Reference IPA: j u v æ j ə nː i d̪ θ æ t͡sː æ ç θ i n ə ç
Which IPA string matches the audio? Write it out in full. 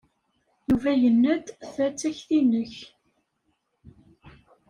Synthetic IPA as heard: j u v æ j ə nː æ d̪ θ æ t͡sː æ ç θ i n ə ç